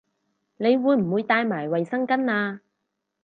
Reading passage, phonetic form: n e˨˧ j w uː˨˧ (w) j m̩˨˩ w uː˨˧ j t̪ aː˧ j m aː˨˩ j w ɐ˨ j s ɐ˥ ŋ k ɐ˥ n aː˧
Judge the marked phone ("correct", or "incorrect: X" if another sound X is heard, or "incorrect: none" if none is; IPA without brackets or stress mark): incorrect: none